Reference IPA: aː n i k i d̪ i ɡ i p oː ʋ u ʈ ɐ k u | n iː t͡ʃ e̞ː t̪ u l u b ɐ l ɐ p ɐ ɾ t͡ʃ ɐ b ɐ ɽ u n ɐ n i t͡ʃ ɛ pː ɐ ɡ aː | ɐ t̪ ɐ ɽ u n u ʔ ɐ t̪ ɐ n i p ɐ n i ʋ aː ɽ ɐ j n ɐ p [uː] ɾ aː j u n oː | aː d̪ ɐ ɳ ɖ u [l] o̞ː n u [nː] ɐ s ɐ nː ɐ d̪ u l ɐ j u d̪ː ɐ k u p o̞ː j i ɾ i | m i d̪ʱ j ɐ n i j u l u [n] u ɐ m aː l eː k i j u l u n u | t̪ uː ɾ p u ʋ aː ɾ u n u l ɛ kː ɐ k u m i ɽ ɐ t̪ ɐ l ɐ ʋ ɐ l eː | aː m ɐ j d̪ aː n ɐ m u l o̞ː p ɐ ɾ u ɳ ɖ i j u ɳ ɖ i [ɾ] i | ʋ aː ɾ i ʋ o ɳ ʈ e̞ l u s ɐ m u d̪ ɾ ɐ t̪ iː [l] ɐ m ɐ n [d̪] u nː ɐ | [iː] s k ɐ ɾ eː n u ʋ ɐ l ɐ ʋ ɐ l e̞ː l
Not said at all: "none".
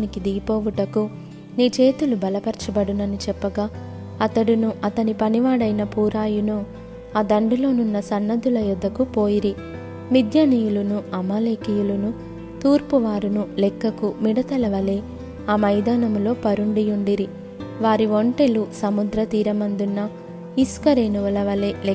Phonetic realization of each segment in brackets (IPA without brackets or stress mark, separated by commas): uː, l, nː, n, ɾ, ɾ, d̪, i